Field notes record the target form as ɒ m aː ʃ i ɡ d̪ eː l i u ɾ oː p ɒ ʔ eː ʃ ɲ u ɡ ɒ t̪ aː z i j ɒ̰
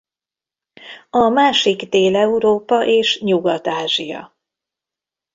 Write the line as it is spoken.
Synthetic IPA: ɒ m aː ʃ i ɡ d̪ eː l ɛ u ɾ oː p ɒ ʔ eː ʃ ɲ u ɡ ɒ t̪ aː ʒ i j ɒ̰